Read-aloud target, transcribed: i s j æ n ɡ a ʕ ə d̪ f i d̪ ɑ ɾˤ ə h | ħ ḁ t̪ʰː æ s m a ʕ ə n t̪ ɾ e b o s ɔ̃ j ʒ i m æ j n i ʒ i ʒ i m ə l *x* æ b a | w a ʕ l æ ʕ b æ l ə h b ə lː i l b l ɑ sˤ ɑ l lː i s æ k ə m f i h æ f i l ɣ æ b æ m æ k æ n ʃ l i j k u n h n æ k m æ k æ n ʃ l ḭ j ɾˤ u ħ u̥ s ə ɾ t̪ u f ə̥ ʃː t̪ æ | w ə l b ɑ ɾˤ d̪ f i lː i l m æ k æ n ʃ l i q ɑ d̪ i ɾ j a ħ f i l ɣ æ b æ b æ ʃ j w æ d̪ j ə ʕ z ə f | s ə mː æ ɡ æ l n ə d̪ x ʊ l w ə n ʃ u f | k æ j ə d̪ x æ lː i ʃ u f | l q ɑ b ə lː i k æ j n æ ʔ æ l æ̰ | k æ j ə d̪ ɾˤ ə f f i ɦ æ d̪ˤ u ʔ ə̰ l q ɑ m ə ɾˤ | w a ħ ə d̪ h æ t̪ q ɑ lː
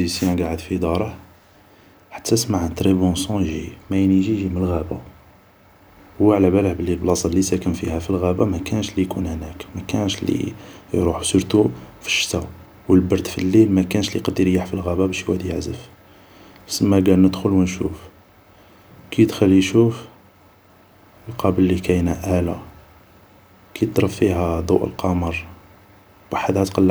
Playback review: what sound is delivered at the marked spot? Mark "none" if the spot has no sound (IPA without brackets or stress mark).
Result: ɣ